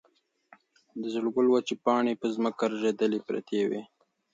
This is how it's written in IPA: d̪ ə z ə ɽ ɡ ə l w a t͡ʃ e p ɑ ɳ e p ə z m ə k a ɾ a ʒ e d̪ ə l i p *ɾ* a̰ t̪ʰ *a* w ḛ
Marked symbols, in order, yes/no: yes, no

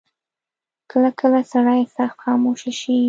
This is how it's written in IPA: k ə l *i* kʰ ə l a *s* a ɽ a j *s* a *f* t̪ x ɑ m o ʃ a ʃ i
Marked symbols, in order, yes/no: no, yes, yes, no

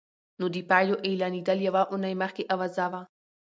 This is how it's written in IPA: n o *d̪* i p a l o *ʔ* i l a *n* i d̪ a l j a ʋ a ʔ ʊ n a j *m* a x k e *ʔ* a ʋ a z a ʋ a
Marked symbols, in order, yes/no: yes, yes, yes, yes, yes

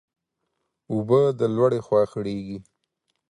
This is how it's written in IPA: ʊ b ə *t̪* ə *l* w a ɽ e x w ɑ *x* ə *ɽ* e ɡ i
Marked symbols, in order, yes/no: no, yes, yes, yes

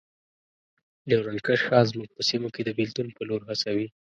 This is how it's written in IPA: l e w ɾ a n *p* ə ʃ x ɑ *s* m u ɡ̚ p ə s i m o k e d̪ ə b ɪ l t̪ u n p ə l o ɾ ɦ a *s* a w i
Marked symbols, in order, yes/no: no, no, yes

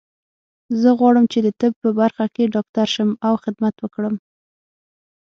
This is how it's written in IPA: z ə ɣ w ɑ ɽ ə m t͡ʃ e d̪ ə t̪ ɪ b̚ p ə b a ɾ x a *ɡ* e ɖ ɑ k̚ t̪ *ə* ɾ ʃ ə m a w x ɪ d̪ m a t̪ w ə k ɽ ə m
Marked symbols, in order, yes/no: no, no

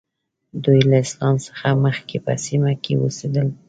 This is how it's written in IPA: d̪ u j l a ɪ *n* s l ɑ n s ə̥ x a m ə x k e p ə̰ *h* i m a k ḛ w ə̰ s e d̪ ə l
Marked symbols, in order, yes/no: no, no

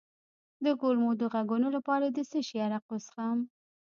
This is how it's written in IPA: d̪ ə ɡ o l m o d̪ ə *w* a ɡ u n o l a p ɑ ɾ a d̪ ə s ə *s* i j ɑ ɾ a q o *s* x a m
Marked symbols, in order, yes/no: no, no, yes

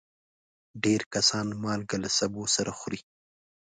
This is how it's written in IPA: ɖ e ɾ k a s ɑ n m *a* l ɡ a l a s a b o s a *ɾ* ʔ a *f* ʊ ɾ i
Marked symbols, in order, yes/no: no, yes, no

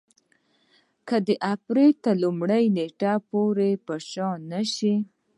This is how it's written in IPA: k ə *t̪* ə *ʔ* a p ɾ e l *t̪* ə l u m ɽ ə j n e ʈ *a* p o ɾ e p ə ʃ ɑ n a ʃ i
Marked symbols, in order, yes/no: no, yes, yes, yes

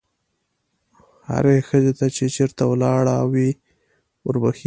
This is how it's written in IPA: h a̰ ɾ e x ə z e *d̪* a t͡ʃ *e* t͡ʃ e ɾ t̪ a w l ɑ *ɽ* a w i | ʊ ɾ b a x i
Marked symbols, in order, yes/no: no, yes, yes

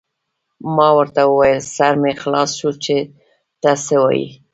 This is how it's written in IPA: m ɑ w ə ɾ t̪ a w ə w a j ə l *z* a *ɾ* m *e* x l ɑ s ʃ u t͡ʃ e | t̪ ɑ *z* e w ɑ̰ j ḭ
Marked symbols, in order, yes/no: no, yes, yes, no

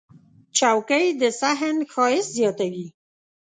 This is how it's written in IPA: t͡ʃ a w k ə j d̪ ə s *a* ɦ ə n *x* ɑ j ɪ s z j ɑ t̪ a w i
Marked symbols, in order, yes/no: yes, yes

